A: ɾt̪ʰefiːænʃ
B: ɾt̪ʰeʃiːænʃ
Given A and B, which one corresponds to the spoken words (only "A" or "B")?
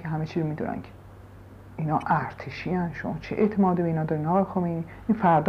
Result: B